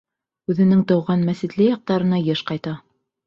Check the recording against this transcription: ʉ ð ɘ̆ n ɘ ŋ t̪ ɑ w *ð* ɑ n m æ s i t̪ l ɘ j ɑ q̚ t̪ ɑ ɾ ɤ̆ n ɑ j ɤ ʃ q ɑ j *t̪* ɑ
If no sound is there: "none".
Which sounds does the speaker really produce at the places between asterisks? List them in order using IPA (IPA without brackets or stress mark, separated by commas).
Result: ʁ, t̪